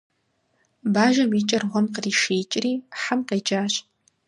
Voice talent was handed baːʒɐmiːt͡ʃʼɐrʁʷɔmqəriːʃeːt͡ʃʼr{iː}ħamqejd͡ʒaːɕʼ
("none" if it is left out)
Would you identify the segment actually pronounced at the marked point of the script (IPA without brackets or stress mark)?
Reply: iː